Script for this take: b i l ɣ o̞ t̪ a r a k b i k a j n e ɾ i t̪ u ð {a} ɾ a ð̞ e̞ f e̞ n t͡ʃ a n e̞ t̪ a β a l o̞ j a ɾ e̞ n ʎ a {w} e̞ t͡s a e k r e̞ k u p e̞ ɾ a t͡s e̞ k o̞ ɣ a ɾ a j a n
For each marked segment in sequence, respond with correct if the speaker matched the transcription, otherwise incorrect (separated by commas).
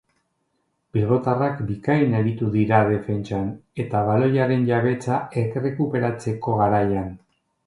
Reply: incorrect, incorrect